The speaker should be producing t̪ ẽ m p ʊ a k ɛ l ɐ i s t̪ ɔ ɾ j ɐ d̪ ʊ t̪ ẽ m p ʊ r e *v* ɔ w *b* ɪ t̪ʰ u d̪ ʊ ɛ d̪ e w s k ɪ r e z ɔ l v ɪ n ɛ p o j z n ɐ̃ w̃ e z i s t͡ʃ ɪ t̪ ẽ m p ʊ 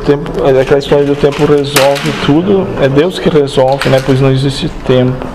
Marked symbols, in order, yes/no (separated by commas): no, no